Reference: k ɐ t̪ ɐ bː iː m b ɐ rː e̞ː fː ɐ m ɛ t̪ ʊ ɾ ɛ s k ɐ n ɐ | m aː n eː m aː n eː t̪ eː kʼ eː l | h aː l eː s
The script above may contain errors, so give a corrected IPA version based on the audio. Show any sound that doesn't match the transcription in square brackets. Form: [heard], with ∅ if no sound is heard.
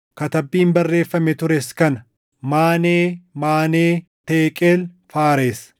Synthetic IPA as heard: k ɐ t̪ ɐ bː iː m b ɐ rː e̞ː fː ɐ m ɛ t̪ ʊ ɾ ɛ s k ɐ n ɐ | m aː n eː m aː n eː t̪ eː kʼ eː l | [f] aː [ɾ] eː s